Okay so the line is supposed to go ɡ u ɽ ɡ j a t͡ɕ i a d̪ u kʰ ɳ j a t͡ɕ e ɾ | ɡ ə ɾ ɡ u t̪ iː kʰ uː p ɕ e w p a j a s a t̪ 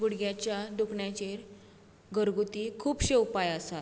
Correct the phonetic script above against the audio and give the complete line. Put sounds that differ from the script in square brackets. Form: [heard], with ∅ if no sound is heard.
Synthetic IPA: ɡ u ɽ ɡ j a t͡ɕ [j] a d̪ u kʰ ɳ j a t͡ɕ e ɾ | ɡ ə ɾ ɡ u t̪ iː kʰ uː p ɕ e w p a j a s a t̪